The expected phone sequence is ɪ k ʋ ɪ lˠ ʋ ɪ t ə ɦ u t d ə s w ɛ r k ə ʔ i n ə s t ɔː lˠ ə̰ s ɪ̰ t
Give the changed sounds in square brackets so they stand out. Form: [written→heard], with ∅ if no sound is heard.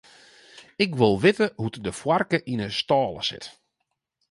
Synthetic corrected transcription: ɪ k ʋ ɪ lˠ ʋ ɪ t ə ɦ u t d ə [s→f] w [ɛ→a] r k ə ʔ i n ə s t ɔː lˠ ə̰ s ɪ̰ t